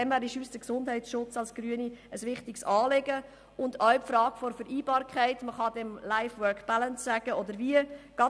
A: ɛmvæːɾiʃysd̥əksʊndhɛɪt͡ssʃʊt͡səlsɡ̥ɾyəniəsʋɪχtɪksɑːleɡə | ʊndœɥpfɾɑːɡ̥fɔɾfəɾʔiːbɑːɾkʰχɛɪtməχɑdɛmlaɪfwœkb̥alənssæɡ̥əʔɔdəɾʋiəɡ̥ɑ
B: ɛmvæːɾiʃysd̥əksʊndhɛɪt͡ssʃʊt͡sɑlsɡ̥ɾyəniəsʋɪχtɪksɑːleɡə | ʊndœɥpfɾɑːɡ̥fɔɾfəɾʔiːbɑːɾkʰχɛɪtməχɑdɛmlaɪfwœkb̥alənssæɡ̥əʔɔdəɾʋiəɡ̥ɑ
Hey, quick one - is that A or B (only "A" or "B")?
B